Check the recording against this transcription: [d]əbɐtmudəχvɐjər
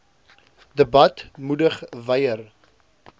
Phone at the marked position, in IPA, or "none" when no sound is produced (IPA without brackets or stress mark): d